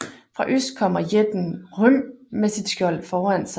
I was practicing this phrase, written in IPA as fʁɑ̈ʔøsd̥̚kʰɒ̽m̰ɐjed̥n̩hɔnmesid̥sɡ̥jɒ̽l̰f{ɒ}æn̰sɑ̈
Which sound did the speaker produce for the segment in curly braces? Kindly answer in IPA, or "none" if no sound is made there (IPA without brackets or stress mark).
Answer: ɒː